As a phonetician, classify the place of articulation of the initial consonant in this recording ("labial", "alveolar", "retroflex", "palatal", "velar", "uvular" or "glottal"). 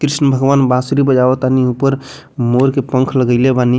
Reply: velar